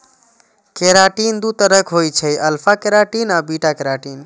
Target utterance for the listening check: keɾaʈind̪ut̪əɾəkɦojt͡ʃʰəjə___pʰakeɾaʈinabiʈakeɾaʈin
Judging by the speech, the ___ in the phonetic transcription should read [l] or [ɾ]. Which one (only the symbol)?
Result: l